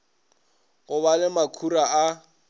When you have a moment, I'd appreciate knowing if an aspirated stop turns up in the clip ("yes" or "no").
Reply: yes